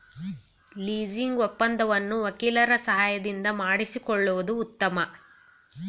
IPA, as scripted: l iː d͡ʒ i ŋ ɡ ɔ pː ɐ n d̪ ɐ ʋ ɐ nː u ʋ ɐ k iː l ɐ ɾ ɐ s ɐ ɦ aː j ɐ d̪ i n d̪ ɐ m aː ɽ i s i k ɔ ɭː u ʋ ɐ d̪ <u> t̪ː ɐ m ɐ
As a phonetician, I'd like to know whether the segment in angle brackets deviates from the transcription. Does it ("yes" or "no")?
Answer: yes